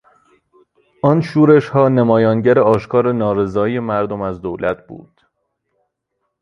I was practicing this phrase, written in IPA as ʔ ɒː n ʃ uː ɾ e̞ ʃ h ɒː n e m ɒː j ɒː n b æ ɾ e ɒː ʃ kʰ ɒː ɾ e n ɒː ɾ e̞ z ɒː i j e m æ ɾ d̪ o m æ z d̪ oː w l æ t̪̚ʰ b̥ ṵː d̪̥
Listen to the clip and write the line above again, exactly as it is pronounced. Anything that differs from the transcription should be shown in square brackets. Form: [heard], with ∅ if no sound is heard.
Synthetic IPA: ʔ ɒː n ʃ uː ɾ e̞ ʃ h ɒː n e m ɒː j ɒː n [ɟ] æ ɾ e ɒː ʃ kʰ ɒː ɾ e n ɒː ɾ e̞ z ɒː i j e m æ ɾ d̪ o m æ z d̪ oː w l æ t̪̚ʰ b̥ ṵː d̪̥